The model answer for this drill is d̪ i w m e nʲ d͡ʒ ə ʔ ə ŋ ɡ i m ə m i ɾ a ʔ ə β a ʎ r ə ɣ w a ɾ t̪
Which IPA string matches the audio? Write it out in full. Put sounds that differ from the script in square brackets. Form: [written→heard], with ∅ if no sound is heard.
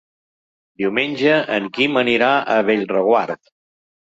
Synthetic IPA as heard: d̪ i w m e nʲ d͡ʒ ə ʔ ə ŋ [ɡ→k] i m ə [m→n] i ɾ a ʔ ə β [a→e] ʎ r ə ɣ w a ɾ t̪